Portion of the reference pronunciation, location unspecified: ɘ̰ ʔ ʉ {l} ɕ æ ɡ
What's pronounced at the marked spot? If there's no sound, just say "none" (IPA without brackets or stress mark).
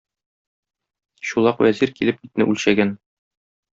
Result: l